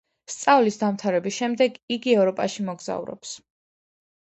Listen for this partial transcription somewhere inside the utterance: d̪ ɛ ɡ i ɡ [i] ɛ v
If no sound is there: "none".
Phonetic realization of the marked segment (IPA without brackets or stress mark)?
i